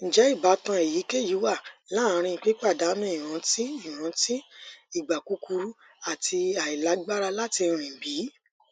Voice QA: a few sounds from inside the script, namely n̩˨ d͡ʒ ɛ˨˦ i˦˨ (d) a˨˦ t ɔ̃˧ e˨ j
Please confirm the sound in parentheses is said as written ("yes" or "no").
no